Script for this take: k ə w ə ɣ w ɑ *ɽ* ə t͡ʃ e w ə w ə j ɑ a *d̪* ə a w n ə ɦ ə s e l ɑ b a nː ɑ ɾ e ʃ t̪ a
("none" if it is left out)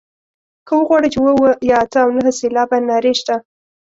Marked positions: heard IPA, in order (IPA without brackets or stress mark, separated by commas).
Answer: ɽ, t̪